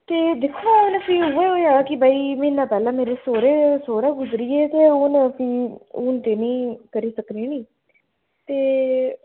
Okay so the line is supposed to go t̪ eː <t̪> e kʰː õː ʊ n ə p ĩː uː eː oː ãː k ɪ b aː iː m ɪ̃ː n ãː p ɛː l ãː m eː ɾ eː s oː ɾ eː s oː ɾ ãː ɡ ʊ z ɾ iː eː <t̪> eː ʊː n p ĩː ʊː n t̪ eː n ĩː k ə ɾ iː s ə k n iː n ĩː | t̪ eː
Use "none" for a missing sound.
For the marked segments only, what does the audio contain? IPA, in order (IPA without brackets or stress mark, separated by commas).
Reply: d̪, t̪